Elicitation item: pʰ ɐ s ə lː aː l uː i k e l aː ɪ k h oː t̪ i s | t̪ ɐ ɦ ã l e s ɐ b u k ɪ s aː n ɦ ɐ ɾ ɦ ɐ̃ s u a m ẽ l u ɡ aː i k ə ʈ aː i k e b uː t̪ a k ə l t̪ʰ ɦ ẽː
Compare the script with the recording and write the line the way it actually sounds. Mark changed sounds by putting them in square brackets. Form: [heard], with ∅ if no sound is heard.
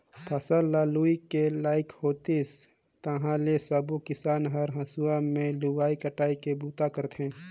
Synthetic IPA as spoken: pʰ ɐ s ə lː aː l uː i k e l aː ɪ k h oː t̪ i s | t̪ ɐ ɦ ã l e s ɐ b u k ɪ s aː n ɦ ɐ ɾ ɦ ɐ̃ s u a m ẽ l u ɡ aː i k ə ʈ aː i k e b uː t̪ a k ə [ɾ] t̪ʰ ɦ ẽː

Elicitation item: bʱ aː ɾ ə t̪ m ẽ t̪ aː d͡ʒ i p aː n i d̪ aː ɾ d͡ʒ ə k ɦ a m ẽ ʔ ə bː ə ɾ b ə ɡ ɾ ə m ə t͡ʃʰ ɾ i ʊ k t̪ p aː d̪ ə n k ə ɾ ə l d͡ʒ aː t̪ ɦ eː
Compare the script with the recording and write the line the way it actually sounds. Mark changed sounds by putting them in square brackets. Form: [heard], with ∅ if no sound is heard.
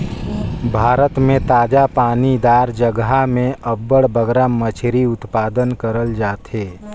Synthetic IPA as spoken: bʱ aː ɾ ə t̪ m ẽ t̪ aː d͡ʒ [a] p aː n i d̪ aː ɾ d͡ʒ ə [ɡ] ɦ a m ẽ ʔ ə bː ə [ɽ] b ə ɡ ɾ [a] m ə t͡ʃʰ ɾ i ʊ [∅] t̪ p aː d̪ ə n k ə ɾ ə l d͡ʒ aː t̪ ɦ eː

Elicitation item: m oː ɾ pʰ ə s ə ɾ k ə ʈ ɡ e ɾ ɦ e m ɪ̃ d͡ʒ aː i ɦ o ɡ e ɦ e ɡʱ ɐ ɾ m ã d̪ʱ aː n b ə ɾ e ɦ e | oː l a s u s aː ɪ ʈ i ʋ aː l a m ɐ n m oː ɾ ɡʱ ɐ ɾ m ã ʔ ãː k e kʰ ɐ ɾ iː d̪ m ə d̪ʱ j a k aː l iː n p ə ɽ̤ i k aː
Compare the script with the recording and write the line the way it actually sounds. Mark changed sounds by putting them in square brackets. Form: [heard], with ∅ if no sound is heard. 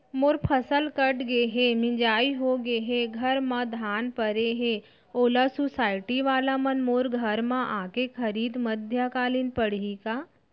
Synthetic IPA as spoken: m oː ɾ pʰ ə s ə [l] k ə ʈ ɡ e [∅] ɦ e m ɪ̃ d͡ʒ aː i ɦ o ɡ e ɦ e ɡʱ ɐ ɾ m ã d̪ʱ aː n [p] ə ɾ e ɦ e | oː l a s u s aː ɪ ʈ i ʋ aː l a m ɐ n m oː ɾ ɡʱ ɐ ɾ m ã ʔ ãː k e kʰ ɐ ɾ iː d̪ m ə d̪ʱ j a k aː l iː n p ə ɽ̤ i k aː

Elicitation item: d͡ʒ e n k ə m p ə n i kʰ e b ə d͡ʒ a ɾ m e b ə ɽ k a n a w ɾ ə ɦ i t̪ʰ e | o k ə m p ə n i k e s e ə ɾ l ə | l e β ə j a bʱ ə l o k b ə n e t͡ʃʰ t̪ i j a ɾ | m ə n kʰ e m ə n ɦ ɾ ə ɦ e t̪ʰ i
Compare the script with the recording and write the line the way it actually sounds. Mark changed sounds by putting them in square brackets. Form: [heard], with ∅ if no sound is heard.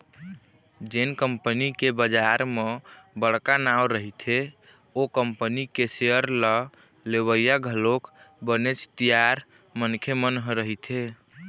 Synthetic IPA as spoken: d͡ʒ e n k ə m p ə n i [k] e b ə d͡ʒ a ɾ m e b ə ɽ k a n a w ɾ ə ɦ i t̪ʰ e | o k ə m p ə n i k e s e ə ɾ l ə | l e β ə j a [ɡʱ] ə l o k b ə n e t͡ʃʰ t̪ i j a ɾ | m ə n kʰ e m ə n ɦ ɾ ə ɦ [i] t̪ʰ [e]

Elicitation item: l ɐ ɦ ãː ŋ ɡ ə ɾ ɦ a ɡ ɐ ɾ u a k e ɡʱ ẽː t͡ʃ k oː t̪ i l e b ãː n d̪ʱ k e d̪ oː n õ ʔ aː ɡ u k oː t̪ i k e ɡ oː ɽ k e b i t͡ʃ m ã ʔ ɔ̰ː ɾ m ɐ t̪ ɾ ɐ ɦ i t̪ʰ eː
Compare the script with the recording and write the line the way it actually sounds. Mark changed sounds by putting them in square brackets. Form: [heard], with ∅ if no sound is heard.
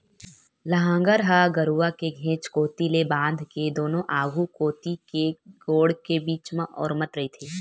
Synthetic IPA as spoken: l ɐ ɦ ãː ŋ ɡ ə ɾ ɦ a ɡ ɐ ɾ u a k e ɡʱ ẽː t͡ʃ k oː t̪ i l e b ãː n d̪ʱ k e d̪ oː n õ ʔ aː ɡ u k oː t̪ i k e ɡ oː ɽ k e b [iː] t͡ʃ m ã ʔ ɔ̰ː ɾ m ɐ t̪ ɾ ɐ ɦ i t̪ʰ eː

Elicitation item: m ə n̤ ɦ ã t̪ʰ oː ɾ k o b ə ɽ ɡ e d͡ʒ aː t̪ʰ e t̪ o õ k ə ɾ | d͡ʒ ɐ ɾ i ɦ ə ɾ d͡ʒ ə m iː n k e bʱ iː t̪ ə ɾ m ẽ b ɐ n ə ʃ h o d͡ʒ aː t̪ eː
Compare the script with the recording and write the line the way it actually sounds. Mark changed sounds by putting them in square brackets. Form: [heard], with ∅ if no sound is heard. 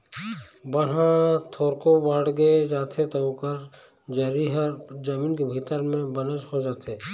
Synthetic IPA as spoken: [b] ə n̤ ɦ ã t̪ʰ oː ɾ k o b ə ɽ ɡ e d͡ʒ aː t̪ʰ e t̪ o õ k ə ɾ | d͡ʒ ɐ ɾ i ɦ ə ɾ d͡ʒ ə m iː n k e bʱ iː t̪ ə ɾ m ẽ b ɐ n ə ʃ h o d͡ʒ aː t̪ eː

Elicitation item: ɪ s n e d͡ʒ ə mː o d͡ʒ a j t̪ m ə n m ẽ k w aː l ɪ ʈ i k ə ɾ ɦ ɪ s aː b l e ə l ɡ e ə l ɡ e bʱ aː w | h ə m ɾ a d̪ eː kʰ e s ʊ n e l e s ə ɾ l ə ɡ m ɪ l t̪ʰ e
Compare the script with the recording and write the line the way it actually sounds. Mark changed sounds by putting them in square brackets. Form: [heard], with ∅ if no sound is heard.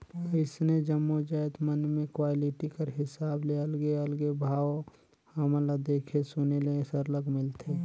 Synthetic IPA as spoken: ɪ s n e d͡ʒ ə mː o d͡ʒ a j t̪ m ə n m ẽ k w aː l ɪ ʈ i k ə ɾ ɦ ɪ s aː b l e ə l ɡ e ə l ɡ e bʱ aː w | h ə m [l] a d̪ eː kʰ e s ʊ n e l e s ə ɾ l ə ɡ m ɪ l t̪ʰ e

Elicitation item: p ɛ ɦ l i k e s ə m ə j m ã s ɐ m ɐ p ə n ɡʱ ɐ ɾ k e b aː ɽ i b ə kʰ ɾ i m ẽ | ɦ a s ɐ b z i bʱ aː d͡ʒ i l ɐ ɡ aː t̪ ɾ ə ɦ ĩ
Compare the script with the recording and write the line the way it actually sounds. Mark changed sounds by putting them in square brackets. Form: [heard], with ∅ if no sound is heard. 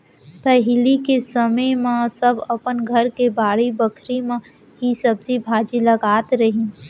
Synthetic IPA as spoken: p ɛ ɦ l i k e s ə m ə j m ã s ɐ [b] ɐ p ə n ɡʱ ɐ ɾ k e b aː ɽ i b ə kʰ ɾ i m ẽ | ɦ [i] s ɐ b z i bʱ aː d͡ʒ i l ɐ ɡ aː t̪ ɾ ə ɦ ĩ

